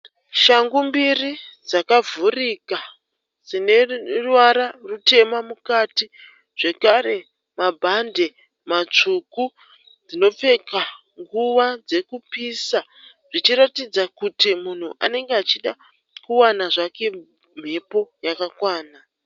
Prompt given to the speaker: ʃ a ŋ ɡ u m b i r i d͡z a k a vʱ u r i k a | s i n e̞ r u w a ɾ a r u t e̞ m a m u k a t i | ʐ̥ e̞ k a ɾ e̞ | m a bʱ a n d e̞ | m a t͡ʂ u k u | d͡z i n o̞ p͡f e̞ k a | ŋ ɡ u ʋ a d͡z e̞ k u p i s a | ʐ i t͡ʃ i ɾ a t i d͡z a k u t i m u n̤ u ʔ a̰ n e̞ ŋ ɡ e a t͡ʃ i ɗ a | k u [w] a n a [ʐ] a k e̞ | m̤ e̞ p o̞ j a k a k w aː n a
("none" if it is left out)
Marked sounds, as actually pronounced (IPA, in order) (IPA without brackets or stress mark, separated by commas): w, ʐ